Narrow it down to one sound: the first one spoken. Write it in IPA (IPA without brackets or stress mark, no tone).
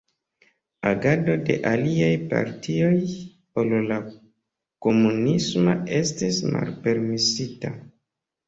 a